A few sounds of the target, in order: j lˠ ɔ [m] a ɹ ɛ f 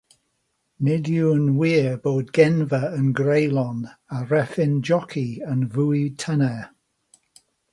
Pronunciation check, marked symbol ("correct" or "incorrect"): incorrect